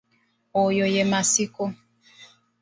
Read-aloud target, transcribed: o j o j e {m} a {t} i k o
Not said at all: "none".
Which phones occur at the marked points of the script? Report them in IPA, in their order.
m, s

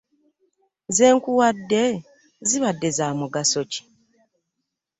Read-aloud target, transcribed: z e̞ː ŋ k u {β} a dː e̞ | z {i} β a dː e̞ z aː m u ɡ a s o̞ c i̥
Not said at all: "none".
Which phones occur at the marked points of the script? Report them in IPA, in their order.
w, i

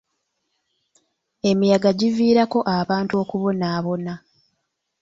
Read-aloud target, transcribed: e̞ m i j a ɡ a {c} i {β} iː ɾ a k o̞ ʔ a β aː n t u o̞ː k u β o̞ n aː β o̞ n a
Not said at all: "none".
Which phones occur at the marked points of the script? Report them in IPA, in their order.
ɟ, v

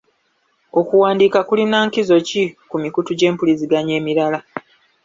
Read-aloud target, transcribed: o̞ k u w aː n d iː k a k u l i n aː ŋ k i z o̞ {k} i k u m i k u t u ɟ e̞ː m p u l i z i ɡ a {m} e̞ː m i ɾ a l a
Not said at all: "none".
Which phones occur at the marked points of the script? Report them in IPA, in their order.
c, ɲ

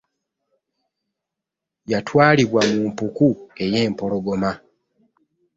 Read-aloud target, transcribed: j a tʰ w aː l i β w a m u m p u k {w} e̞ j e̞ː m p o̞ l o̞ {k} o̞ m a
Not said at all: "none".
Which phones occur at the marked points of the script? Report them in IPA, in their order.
u, ɡ

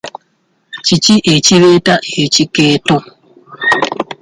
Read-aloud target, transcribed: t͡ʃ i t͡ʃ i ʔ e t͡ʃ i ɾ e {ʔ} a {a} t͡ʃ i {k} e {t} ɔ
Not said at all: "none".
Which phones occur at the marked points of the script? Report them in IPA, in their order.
t, e, k, t

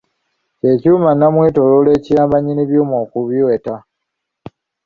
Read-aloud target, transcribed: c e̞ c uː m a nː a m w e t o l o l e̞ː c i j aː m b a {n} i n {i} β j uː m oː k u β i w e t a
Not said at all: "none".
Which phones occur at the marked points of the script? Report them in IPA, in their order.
ɲ, i

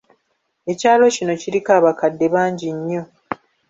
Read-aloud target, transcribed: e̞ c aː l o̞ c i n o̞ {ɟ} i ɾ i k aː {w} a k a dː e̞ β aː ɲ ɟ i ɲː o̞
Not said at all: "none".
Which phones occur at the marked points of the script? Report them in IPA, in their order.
c, β

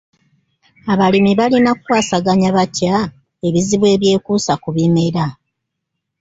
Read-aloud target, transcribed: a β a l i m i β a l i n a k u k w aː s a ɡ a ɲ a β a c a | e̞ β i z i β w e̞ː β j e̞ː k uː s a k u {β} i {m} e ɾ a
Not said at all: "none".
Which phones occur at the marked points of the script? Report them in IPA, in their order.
β, m

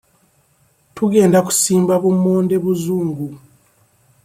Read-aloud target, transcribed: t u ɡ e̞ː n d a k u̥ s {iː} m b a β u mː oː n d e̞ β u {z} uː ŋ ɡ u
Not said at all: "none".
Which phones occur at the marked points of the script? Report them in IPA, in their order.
iː, z

